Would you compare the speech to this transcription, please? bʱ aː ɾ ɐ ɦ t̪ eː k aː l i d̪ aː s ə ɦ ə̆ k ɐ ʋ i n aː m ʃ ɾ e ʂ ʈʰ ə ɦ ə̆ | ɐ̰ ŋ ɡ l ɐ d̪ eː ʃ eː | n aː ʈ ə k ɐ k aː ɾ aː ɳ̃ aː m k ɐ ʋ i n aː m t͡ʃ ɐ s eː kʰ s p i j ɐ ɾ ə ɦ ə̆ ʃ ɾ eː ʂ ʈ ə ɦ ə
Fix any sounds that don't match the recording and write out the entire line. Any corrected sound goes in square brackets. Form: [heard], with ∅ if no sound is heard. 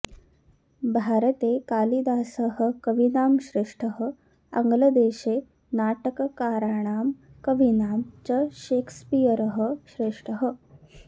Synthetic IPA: bʱ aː ɾ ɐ [∅] t̪ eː k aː l i d̪ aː s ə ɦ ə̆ k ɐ ʋ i n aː m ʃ ɾ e ʂ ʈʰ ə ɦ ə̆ | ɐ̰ ŋ ɡ l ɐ d̪ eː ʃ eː | n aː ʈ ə k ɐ k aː ɾ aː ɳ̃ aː m k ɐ ʋ i n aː m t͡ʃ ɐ [ʃ] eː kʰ s p i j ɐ ɾ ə ɦ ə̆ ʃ ɾ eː ʂ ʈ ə ɦ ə